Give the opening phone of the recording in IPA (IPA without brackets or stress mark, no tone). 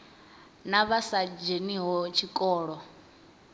n